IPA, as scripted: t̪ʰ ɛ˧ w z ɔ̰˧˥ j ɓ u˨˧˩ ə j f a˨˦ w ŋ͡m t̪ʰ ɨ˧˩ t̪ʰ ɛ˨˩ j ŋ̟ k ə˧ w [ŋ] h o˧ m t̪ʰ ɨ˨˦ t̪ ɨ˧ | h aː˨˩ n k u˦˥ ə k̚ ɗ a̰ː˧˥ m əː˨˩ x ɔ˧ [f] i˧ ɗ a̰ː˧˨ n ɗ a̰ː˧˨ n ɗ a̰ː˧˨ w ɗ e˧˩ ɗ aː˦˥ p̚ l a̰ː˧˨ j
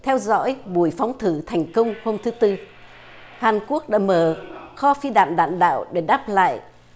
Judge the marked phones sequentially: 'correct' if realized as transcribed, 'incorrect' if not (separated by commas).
incorrect, correct